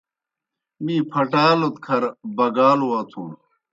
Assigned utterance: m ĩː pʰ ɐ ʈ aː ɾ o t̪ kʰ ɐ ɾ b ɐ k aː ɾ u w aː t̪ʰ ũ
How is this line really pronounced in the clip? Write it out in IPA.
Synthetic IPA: m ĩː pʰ ɐ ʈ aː l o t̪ kʰ ɐ ɾ b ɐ ɡ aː l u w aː t̪ʰ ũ